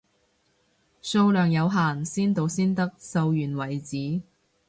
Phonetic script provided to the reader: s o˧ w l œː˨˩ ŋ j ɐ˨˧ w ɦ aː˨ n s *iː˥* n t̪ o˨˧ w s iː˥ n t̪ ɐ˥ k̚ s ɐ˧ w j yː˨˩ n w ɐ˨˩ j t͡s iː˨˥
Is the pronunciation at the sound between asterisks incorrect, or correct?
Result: correct